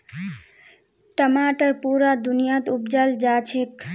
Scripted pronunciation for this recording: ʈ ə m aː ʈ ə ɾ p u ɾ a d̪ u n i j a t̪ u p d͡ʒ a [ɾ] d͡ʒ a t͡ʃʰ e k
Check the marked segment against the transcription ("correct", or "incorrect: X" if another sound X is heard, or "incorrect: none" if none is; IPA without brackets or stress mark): incorrect: l